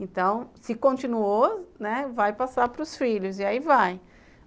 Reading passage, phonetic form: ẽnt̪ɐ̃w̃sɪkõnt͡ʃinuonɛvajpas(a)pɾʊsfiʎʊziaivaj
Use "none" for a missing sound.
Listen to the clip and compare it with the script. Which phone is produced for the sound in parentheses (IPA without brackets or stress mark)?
a